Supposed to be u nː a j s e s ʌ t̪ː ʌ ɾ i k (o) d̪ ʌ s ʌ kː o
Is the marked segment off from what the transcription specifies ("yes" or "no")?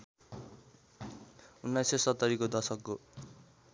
no